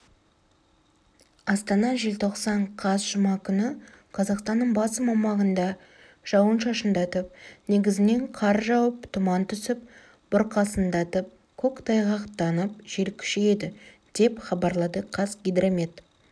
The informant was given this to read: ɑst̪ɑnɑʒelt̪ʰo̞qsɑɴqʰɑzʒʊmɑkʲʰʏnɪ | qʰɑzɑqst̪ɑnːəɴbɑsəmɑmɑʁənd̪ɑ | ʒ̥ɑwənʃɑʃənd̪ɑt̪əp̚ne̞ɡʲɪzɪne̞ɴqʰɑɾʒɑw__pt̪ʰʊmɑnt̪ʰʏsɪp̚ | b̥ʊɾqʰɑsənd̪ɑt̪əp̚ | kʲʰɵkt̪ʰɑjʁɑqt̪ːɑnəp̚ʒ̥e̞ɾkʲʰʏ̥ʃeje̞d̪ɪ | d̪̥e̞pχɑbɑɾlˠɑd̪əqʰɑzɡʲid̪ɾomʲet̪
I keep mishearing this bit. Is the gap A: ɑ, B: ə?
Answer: B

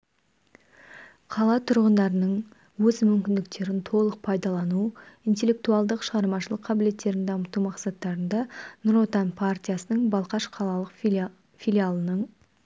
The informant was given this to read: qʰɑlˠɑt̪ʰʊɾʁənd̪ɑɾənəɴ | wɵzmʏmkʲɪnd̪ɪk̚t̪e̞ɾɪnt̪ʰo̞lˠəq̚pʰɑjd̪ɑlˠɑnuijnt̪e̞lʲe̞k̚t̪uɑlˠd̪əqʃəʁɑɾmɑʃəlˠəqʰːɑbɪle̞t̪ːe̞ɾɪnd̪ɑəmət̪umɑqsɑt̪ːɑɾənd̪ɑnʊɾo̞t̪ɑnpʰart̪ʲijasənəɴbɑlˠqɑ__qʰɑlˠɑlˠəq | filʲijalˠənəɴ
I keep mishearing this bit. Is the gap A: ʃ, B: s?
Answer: A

